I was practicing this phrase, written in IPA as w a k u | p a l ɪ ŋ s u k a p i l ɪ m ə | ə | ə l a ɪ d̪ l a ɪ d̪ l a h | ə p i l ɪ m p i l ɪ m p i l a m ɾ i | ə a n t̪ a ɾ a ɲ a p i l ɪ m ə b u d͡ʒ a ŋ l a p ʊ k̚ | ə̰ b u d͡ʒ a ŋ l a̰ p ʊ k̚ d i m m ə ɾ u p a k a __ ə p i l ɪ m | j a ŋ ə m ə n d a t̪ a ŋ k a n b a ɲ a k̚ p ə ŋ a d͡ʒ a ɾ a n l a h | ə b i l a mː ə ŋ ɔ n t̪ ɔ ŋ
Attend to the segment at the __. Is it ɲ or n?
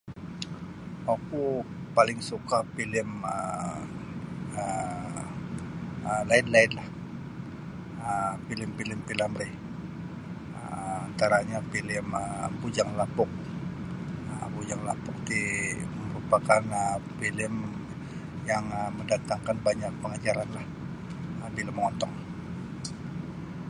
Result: n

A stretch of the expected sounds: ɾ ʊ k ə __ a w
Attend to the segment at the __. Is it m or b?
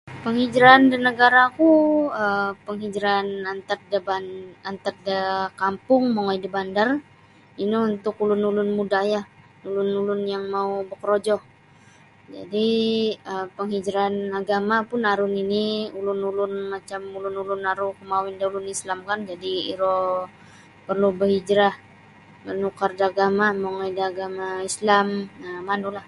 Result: m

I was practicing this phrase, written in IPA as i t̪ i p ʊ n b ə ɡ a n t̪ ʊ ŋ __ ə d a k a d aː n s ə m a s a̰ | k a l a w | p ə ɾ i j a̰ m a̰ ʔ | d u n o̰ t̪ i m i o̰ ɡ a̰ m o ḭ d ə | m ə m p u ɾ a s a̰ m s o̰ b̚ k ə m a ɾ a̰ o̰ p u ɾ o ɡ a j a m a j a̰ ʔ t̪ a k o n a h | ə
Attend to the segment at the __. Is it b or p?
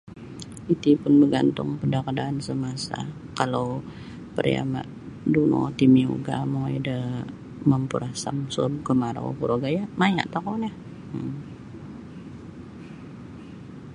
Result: p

